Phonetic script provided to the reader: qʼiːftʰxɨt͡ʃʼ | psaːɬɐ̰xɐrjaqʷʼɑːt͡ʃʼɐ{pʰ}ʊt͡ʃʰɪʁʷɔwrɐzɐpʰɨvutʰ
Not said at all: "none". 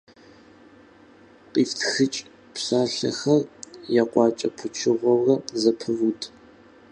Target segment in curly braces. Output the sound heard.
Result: pʰ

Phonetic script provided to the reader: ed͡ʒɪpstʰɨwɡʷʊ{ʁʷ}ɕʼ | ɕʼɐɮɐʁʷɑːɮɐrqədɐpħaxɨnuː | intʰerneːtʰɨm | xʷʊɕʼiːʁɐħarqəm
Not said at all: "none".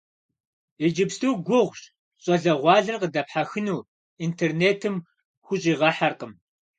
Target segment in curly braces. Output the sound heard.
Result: ʁʷ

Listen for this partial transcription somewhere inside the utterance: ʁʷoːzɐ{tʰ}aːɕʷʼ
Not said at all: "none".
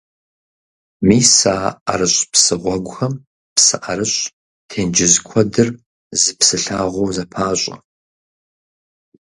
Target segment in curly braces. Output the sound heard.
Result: pʰ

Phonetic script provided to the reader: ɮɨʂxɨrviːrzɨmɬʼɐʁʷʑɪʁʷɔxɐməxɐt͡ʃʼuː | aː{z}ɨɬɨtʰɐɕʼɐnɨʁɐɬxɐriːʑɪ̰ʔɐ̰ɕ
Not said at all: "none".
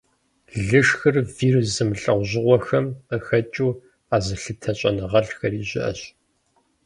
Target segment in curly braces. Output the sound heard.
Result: z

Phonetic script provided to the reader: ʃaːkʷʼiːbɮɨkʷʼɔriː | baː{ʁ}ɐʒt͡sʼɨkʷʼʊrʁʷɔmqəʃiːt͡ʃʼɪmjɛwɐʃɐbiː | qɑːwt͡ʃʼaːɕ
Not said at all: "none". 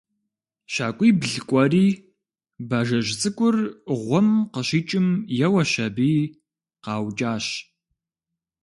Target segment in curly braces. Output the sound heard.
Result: ʒ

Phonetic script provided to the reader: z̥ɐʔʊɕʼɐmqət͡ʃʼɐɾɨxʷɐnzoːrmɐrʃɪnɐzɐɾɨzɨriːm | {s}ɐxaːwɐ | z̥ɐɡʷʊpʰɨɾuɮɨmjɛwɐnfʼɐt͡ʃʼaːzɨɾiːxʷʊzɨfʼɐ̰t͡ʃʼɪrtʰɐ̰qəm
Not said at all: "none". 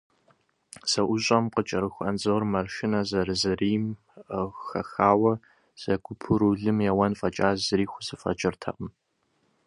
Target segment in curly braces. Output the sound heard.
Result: x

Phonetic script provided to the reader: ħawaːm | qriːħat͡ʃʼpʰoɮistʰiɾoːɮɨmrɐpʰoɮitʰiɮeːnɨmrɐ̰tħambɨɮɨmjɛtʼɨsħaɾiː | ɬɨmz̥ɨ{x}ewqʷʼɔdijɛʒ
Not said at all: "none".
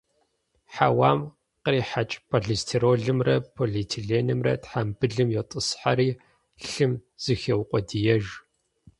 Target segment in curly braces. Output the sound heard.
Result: x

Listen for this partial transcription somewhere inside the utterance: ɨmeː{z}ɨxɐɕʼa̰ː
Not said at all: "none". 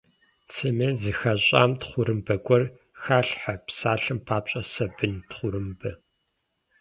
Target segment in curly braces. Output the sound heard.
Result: z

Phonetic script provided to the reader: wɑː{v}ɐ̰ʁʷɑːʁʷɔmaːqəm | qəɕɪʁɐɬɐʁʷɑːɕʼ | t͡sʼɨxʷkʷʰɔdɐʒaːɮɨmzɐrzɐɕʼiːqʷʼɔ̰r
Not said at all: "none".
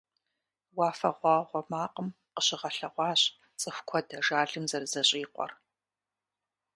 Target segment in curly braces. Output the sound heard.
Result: f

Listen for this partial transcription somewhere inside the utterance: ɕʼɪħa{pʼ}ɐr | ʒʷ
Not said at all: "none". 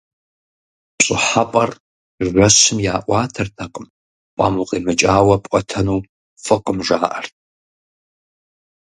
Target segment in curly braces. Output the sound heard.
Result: pʼ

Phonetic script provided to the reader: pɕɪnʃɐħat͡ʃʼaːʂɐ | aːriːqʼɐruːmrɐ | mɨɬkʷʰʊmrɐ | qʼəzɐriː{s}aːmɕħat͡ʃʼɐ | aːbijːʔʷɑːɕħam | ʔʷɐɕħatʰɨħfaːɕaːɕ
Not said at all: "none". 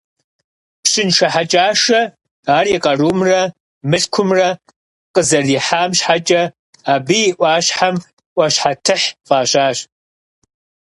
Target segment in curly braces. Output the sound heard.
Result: ħ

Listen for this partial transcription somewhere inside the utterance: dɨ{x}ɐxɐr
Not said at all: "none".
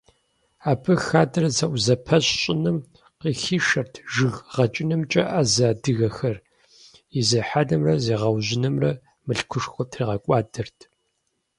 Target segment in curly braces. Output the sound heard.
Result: ɣ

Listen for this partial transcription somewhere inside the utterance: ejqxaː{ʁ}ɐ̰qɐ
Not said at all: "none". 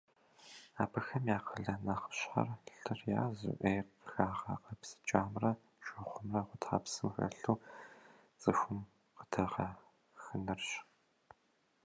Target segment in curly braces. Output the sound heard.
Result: ʁ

